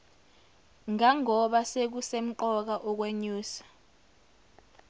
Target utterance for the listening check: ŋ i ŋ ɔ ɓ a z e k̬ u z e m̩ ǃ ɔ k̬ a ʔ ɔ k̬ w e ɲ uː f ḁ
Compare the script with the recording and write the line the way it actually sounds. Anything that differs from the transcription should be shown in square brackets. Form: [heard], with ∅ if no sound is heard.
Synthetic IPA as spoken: ŋ [a] ŋ ɔ ɓ a [s] e k̬ u [s] e m̩ ǃ ɔ k̬ a ʔ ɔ k̬ w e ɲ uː [s] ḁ